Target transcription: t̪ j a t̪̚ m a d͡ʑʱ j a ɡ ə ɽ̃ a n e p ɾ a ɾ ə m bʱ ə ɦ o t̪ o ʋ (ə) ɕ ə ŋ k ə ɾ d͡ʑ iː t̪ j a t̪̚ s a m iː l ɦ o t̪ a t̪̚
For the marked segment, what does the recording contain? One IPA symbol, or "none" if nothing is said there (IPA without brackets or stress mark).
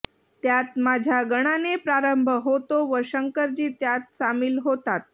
ə